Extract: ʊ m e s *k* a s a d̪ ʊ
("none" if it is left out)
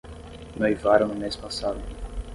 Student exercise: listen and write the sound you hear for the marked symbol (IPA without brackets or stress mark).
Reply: p